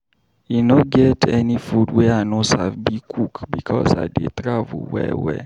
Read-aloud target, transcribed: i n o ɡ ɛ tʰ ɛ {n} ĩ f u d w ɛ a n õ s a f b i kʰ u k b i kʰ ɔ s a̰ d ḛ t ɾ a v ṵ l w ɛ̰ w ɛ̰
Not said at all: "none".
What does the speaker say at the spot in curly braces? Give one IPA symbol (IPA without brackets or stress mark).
n